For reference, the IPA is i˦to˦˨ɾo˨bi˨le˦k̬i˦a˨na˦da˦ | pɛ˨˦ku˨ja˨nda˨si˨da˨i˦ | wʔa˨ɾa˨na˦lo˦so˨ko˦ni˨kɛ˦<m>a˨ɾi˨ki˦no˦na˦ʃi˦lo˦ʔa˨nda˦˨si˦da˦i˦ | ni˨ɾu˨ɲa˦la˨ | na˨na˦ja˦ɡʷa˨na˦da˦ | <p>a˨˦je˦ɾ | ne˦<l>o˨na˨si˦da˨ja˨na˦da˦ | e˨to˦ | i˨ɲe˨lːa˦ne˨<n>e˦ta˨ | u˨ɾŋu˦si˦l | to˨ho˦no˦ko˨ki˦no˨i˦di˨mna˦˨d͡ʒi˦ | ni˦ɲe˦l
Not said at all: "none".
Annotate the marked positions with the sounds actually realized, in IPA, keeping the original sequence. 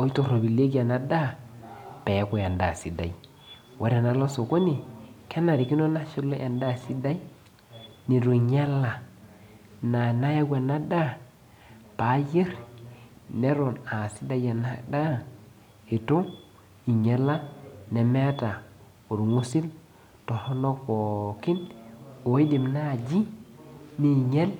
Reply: n, p, ɾ, m

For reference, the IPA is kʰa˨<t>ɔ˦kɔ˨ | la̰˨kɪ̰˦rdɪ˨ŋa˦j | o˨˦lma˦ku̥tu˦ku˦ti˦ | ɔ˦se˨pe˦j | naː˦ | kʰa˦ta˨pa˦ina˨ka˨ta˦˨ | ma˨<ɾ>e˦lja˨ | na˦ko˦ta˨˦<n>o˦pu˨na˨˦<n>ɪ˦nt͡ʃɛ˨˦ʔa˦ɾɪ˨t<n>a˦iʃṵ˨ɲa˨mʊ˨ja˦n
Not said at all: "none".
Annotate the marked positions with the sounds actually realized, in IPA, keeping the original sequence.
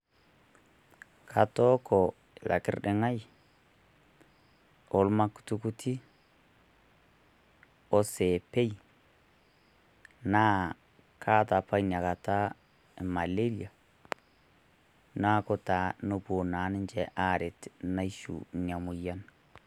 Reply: t, l, n, n, n

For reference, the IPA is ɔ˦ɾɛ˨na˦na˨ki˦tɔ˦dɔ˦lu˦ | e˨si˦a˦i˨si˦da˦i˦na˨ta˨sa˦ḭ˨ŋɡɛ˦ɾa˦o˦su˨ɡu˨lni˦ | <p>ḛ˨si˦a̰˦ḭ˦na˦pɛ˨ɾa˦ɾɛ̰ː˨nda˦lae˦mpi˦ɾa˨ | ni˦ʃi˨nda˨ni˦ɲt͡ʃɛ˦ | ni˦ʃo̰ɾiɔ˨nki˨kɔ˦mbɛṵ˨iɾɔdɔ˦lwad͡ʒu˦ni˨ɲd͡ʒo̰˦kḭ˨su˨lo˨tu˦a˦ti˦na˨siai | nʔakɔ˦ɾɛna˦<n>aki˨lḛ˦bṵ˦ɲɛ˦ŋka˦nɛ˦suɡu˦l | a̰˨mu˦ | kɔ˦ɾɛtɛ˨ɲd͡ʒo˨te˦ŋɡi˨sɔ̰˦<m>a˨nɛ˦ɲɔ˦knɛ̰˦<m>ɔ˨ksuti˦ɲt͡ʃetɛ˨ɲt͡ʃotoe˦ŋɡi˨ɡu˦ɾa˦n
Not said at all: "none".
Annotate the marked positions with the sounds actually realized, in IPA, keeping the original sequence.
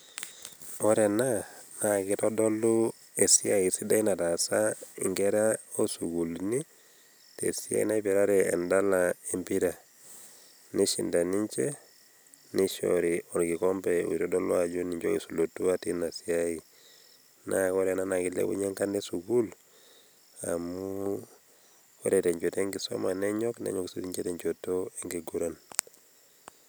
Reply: t, n, m, ɲ

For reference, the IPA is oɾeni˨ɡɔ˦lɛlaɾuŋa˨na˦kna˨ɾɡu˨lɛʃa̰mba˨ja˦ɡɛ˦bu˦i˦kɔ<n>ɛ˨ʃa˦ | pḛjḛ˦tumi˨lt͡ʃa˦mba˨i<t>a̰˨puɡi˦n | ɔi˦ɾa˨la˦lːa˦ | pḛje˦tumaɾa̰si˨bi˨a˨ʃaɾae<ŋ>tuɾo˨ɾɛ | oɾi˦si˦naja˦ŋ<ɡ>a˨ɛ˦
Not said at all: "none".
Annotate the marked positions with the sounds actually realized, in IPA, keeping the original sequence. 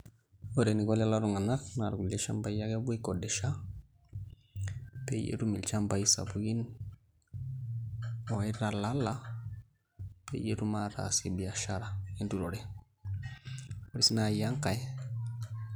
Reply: d, s, n, k

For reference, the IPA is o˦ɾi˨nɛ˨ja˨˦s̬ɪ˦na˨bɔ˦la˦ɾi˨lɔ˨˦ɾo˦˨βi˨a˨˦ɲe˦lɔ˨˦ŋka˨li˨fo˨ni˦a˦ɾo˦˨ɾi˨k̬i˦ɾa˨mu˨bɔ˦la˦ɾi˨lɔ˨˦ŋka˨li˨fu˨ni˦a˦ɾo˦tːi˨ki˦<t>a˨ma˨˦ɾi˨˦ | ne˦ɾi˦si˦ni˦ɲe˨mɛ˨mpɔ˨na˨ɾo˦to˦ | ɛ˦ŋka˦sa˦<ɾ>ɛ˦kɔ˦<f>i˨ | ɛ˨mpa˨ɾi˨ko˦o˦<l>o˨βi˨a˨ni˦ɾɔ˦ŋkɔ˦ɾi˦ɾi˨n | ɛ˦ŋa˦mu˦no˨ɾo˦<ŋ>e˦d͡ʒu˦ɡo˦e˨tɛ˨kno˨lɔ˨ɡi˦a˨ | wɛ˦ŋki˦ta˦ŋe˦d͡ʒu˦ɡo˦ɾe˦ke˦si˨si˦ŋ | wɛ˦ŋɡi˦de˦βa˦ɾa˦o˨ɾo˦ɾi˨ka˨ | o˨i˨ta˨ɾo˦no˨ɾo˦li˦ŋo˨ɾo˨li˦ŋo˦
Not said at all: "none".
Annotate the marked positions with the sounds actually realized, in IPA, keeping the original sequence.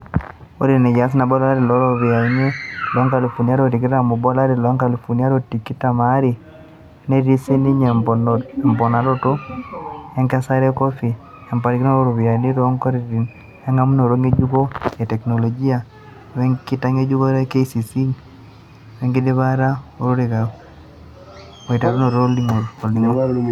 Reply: t, ɾ, f, ɾ, ŋ

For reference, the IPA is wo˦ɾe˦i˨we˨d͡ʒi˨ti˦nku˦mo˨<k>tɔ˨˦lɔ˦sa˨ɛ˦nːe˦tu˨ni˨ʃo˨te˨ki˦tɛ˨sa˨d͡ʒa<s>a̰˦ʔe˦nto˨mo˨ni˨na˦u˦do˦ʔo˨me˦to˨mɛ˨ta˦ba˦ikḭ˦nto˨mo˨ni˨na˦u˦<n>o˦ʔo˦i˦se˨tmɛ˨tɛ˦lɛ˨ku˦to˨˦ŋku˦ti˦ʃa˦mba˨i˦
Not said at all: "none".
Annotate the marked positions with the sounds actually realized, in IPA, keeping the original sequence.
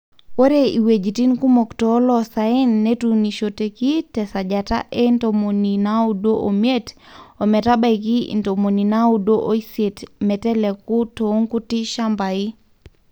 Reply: k, t, d

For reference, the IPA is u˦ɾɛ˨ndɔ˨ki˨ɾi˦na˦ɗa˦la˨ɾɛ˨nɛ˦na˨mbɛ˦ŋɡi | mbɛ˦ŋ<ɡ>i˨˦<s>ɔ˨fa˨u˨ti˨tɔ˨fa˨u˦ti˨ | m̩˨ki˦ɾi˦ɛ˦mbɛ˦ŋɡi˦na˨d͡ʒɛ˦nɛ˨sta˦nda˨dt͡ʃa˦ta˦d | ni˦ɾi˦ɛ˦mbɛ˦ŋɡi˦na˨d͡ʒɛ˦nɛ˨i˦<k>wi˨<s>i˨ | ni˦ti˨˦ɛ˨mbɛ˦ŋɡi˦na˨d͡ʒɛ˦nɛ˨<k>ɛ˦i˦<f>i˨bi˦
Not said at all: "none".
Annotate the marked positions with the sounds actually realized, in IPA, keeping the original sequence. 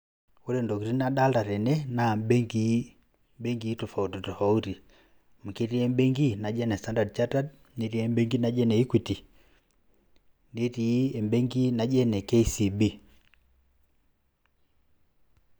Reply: ɡ, t, k, t, k, s

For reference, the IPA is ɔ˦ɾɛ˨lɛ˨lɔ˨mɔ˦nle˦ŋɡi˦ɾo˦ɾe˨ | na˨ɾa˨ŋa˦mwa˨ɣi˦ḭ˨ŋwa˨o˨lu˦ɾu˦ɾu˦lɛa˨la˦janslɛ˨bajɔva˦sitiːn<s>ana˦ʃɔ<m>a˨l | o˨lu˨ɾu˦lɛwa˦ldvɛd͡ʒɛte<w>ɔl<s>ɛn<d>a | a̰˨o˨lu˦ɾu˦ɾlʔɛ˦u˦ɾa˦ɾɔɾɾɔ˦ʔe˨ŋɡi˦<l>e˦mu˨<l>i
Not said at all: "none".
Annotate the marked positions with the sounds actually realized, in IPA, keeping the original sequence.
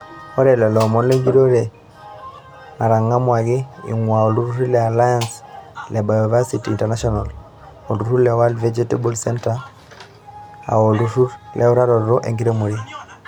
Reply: t, n, b, s, t, ɾ, ɾ

